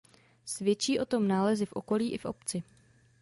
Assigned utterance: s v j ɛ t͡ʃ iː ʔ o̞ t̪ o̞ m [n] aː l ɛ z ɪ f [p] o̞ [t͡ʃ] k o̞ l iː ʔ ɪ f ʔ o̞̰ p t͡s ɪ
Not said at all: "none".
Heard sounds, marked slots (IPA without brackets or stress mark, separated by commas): n, ʔ, none